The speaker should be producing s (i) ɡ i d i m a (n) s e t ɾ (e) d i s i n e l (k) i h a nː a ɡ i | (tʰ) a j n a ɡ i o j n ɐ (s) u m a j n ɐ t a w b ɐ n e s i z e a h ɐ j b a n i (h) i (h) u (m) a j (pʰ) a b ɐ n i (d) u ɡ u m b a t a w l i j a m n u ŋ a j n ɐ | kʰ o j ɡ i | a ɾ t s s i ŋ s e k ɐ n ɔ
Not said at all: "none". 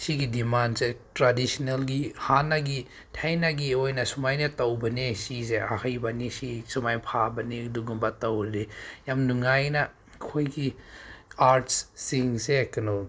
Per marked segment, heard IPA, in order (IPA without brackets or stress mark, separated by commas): i, n, a, ɡ, tʰ, s, s, s, m, pʰ, d